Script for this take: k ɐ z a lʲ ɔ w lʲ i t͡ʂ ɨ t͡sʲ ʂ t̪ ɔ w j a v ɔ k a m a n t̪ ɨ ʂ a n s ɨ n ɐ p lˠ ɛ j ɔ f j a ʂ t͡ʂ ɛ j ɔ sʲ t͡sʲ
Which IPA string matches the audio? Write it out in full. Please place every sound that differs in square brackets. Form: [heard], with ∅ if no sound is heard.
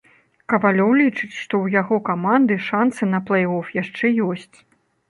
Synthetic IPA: k ɐ [v] a lʲ ɔ w lʲ i t͡ʂ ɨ t͡sʲ ʂ t̪ ɔ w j a [ɣ] ɔ k a m a n [d̪] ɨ ʂ a n s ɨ n ɐ p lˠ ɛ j ɔ f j a ʂ t͡ʂ ɛ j ɔ sʲ t͡sʲ